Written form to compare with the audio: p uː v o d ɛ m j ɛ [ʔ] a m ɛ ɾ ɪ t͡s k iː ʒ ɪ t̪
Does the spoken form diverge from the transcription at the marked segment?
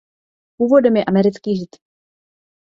no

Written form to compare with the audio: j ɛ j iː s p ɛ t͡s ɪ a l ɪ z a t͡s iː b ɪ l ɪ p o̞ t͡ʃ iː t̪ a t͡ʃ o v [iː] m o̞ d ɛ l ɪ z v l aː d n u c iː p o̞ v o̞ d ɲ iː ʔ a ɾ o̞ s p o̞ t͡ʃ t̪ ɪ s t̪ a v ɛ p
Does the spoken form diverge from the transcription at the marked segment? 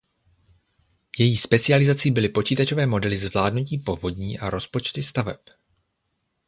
yes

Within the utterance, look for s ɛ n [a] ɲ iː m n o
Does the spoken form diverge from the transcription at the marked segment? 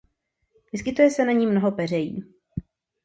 no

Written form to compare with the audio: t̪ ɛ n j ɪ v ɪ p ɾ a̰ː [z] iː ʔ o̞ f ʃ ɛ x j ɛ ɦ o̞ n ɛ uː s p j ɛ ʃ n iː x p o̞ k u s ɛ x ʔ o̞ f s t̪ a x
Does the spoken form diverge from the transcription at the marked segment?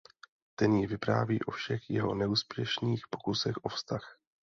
yes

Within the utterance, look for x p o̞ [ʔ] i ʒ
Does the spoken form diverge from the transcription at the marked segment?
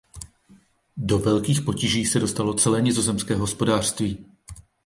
yes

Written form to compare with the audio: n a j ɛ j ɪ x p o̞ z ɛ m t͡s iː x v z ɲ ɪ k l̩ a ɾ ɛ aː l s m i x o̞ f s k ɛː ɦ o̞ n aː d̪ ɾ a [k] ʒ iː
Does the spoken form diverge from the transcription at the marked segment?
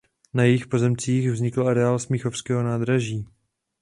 yes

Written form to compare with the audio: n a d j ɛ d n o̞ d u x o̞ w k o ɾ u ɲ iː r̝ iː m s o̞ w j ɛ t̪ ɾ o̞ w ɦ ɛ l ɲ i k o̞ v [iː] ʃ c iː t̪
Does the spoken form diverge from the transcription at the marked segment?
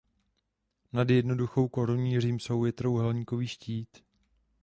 no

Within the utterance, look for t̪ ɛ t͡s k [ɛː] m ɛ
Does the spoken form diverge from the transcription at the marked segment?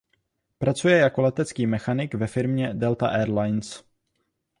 yes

